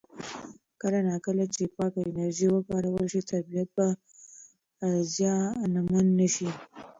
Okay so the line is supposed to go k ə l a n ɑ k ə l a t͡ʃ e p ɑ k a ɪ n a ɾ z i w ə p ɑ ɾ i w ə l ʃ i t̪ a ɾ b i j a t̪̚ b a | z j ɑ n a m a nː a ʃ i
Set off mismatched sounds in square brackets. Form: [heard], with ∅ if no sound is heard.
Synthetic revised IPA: k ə l a n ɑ k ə l a t͡ʃ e p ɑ k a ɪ n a ɾ [ʒ] i w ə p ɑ ɾ [a] w ə l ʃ i t̪ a ɾ b i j a t̪̚ b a | z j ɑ n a m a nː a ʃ i